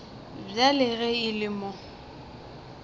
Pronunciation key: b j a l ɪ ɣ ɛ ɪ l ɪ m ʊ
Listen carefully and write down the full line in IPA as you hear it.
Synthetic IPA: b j a l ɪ ɣ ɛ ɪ l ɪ m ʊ